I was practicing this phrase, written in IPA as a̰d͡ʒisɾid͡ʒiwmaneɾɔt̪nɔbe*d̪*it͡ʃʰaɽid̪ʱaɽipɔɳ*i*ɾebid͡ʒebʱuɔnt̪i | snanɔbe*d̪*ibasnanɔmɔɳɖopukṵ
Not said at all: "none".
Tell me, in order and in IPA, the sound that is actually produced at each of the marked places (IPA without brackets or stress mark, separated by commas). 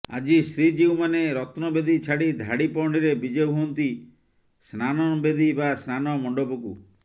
d̪, i, d̪